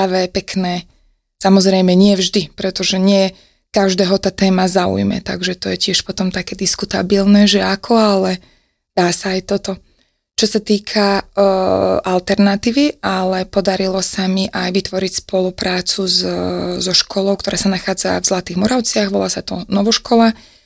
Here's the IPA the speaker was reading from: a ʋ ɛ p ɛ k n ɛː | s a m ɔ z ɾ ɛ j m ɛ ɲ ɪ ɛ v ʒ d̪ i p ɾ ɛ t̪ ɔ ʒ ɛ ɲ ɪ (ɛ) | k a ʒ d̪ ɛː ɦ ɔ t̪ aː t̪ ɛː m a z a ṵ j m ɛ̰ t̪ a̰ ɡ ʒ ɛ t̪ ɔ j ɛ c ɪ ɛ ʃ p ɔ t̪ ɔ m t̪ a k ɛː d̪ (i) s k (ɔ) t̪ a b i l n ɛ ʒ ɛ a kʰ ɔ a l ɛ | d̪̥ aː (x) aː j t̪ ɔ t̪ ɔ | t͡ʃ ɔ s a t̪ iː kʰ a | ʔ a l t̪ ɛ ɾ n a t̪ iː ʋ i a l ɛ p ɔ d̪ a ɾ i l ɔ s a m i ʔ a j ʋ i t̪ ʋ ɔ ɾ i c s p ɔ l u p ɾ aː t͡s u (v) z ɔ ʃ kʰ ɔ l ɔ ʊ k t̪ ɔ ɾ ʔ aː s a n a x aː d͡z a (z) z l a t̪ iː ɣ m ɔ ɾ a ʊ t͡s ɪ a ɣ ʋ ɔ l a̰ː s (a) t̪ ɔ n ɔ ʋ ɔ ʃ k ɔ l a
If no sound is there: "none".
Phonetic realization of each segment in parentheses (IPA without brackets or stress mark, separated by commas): ɛ, i, u, s, z, v, a